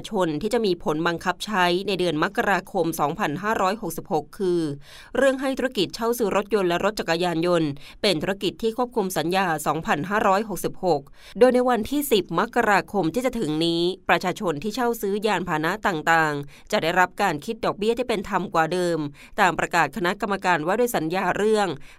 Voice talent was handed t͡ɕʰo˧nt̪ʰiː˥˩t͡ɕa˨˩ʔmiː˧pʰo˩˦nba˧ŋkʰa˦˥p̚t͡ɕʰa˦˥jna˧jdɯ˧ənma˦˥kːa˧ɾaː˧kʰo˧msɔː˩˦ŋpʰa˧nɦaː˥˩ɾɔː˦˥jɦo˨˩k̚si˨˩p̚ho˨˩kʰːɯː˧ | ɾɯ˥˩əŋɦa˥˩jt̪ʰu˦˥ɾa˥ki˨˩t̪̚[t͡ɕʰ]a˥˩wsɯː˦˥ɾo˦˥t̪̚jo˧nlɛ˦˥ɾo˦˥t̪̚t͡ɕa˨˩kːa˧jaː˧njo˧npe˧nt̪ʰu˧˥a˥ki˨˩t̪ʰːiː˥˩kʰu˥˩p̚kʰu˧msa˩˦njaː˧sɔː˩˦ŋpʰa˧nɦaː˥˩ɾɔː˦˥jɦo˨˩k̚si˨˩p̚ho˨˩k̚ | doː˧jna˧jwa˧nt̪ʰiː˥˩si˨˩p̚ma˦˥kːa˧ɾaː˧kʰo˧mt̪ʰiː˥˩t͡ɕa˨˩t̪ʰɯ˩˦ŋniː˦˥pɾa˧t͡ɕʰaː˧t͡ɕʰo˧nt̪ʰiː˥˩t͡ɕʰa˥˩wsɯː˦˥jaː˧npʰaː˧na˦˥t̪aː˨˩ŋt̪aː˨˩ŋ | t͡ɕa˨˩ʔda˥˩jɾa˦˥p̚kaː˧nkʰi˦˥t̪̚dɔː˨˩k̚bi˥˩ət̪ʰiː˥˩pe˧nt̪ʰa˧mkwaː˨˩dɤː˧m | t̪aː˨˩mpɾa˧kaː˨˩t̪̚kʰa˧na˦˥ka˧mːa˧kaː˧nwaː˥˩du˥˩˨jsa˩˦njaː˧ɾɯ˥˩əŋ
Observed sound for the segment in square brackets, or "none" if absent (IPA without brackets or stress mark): t͡ɕʰ